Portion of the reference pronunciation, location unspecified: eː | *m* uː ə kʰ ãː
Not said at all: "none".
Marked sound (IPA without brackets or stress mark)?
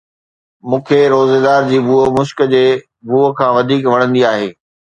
b